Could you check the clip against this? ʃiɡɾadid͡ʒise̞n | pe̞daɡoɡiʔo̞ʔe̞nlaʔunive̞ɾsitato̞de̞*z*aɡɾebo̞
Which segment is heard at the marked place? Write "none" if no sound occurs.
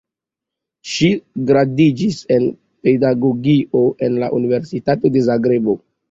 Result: z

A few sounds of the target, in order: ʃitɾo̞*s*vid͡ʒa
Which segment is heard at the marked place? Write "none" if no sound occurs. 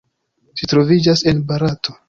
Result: none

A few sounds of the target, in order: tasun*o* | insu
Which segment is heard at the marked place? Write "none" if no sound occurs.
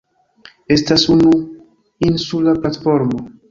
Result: u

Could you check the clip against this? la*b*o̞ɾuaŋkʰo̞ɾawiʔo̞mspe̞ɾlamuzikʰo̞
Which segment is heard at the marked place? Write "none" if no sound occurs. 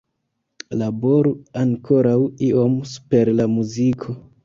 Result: b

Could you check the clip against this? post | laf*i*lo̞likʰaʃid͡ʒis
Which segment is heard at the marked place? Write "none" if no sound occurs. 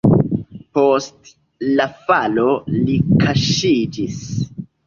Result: a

